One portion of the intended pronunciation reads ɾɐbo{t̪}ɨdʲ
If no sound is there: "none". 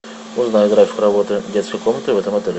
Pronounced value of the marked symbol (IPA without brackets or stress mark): t̪